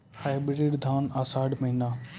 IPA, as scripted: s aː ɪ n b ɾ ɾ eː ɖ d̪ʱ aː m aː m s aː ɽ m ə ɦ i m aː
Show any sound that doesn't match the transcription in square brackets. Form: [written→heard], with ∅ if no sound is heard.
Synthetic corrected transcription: [s→h] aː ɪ [n→∅] b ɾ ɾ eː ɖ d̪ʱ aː [m→n] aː [m→∅] s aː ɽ m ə ɦ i [m→n] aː